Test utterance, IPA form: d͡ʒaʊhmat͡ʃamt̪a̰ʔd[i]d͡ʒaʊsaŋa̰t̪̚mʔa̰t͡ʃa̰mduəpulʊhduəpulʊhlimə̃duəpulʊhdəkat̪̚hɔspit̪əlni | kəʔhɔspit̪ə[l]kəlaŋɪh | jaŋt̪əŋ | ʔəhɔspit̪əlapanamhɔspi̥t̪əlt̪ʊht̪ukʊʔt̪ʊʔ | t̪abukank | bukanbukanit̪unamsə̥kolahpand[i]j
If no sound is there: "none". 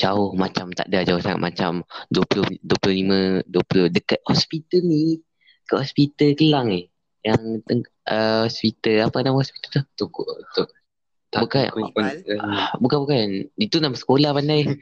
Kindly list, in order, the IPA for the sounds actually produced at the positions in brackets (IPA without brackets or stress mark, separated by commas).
a, l, a